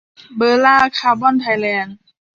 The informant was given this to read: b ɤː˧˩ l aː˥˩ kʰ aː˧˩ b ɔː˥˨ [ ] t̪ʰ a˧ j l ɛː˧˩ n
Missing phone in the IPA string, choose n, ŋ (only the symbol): n